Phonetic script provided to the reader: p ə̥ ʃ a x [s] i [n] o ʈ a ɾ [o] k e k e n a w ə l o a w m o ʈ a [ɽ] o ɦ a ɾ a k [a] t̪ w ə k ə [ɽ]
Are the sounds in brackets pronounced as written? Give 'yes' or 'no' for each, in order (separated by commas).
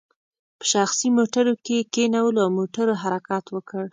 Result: yes, no, yes, no, no, yes